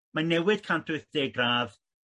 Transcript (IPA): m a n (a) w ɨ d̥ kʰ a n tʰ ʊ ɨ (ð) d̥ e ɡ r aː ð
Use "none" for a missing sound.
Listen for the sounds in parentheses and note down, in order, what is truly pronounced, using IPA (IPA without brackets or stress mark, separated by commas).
ɛ, θ